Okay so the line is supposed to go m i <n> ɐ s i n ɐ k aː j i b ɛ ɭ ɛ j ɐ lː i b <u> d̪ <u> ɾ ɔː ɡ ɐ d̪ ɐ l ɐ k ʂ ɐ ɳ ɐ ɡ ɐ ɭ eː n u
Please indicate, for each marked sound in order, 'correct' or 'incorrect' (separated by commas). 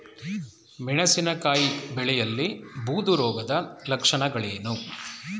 incorrect, incorrect, correct